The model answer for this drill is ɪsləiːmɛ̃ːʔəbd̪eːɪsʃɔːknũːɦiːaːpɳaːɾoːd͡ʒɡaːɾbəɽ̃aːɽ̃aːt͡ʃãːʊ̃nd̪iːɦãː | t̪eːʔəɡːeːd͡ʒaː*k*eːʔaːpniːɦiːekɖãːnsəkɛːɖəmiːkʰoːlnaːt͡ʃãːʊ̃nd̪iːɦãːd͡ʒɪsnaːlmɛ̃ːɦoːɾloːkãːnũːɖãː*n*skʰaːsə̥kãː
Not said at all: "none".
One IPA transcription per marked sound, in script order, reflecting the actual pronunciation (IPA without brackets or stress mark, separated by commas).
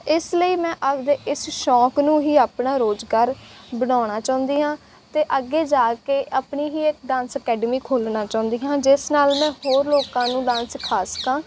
k, n